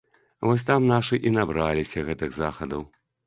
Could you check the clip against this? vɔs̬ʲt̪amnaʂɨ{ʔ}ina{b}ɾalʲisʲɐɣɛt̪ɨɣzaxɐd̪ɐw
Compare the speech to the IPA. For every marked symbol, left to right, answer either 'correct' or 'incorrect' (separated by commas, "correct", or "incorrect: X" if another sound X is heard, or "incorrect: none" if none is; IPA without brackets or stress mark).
correct, correct